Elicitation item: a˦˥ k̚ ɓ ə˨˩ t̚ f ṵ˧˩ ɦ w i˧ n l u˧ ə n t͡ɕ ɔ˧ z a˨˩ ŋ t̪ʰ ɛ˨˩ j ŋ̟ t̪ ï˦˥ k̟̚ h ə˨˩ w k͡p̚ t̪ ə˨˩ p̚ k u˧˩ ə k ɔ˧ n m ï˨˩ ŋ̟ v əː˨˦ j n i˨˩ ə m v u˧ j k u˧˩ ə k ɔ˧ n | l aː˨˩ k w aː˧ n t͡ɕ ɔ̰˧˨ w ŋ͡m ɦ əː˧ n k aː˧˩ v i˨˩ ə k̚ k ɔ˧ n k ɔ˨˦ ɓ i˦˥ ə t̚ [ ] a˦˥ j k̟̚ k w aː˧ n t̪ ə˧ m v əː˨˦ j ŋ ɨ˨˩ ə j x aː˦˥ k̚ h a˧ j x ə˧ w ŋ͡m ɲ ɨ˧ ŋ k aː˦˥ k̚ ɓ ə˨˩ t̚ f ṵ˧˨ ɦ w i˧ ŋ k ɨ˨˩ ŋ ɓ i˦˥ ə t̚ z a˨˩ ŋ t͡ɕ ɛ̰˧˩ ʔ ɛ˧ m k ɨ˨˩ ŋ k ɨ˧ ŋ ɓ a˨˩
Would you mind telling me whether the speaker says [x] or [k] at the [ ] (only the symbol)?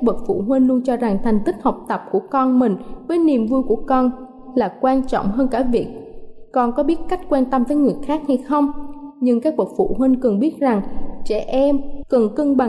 k